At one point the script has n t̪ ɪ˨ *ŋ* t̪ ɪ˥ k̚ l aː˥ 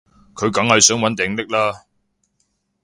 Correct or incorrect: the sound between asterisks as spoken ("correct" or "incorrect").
correct